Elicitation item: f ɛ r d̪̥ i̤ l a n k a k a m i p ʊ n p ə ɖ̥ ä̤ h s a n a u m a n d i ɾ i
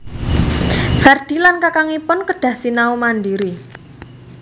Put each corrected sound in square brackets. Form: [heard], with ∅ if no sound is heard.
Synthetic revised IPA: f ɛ r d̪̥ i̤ l a n k a k a [ŋ] i p ʊ n [k] ə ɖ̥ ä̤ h s [i] n a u m a n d i ɾ i